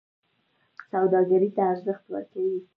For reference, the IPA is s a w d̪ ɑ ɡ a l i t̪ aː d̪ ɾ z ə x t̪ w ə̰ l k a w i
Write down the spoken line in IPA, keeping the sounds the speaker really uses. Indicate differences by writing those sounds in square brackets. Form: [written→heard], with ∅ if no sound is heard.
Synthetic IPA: s a w d̪ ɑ ɡ a [l→ɾ] i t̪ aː [d̪→∅] ɾ z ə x t̪ w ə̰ [l→ɾ] k a w i